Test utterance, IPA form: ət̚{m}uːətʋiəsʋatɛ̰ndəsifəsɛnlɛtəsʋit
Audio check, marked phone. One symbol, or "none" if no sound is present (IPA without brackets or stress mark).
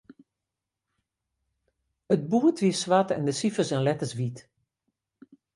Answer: b